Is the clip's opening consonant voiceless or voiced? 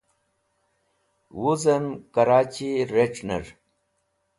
voiced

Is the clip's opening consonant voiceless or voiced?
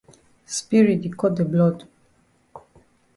voiceless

